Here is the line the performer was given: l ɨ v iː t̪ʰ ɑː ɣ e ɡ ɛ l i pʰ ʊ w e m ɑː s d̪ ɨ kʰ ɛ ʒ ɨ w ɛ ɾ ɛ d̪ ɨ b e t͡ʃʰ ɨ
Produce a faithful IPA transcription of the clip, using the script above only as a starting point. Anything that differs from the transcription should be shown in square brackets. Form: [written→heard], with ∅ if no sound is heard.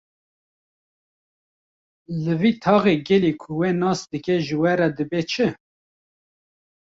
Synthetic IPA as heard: l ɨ v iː t̪ʰ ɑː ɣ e ɡ ɛ l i [pʰ→kʰ] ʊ w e [m→n] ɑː s d̪ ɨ [kʰ→k] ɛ ʒ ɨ w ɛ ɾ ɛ d̪ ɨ b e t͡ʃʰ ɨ